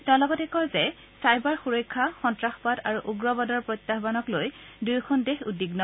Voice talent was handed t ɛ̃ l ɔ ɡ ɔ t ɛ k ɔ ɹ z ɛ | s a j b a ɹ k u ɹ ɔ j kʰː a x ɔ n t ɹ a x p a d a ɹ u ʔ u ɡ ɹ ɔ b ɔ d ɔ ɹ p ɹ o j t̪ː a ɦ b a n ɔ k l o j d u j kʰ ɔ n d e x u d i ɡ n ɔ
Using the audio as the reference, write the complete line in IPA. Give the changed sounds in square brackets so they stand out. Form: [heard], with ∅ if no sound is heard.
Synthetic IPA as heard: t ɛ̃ l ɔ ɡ ɔ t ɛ k ɔ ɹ z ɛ | s a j b a ɹ [x] u ɹ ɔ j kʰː a x ɔ n t ɹ a x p a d a ɹ u ʔ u ɡ ɹ ɔ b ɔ d ɔ ɹ p ɹ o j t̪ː a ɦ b a n ɔ k l o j d u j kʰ ɔ n d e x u d i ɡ n ɔ